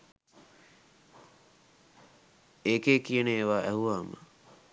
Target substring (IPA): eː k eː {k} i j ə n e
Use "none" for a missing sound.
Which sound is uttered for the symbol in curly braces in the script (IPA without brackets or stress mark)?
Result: k